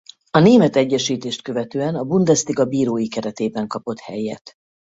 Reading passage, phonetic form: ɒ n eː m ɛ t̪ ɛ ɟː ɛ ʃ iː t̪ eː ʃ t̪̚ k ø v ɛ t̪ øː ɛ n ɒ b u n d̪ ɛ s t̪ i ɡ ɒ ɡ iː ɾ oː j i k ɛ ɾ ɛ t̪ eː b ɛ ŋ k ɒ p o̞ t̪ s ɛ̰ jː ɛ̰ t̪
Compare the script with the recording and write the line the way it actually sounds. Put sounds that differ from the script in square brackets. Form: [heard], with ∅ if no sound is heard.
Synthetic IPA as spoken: ɒ n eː m ɛ t̪ ɛ ɟː ɛ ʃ iː t̪ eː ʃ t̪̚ k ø v ɛ t̪ øː ɛ n ɒ b u n d̪ ɛ s t̪ i ɡ ɒ [b] iː ɾ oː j i k ɛ ɾ ɛ t̪ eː b ɛ ŋ k ɒ p o̞ t̪ [h] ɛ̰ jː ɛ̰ t̪